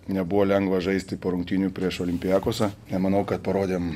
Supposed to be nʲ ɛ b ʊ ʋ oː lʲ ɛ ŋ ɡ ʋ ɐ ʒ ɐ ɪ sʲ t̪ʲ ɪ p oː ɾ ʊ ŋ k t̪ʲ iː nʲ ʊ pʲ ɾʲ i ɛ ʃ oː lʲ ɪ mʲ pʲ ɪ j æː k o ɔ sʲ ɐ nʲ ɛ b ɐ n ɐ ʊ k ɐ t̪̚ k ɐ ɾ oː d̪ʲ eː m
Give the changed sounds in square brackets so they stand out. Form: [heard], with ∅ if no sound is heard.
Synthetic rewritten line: nʲ ɛ b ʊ ʋ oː lʲ ɛ ŋ ɡ ʋ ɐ ʒ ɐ ɪ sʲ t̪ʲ ɪ p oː ɾ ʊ ŋ k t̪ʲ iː nʲ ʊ pʲ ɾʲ i ɛ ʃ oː lʲ ɪ mʲ pʲ ɪ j æː k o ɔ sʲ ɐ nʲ ɛ [m] ɐ n ɐ ʊ k ɐ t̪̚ [p] ɐ ɾ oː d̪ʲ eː m